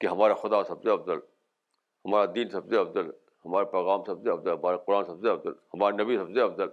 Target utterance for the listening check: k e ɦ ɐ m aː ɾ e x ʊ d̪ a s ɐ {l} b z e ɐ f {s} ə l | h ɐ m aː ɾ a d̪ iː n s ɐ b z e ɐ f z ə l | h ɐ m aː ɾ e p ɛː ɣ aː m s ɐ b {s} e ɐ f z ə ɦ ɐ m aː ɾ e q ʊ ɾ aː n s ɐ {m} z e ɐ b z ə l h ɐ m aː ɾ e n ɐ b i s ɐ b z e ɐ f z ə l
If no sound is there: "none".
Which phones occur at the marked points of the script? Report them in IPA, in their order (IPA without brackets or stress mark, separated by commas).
none, z, z, b